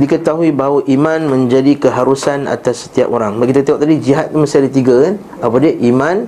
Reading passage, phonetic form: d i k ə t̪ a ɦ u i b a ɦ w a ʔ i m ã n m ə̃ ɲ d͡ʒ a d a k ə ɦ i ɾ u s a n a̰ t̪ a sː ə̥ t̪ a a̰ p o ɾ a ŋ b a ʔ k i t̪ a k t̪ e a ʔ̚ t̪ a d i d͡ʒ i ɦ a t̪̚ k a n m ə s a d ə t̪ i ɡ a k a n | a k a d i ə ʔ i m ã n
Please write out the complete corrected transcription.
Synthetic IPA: d i k ə t̪ a ɦ u i b a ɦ w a ʔ i m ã n m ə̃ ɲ d͡ʒ a d i k ə ɦ a ɾ u s a n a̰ t̪ a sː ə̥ t̪ i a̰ p o ɾ a ŋ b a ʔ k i t̪ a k t̪ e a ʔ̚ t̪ a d i d͡ʒ i ɦ a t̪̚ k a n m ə s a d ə t̪ i ɡ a k a n | a p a d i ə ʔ i m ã n